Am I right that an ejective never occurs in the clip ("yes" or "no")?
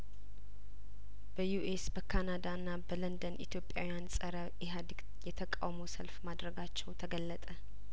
no